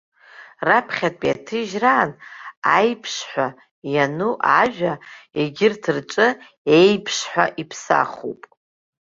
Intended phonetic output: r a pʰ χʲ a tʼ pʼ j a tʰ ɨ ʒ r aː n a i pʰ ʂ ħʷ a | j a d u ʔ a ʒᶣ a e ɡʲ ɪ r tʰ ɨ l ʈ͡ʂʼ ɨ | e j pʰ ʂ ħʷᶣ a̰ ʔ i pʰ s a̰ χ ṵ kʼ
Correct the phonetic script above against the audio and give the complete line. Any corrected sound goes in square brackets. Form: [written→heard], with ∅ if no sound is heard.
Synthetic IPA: r a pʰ χʲ a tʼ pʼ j a tʰ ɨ ʒ r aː n a [i→j] pʰ ʂ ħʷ a | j a [d→n] u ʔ a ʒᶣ a e ɡʲ ɪ r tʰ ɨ [l→r] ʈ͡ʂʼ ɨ | e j pʰ ʂ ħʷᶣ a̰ ʔ i pʰ s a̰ χ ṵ [kʼ→pʼ]